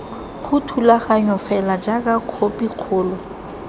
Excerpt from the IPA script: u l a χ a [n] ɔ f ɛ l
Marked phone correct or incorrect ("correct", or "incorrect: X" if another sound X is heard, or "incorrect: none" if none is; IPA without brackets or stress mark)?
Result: incorrect: ɲ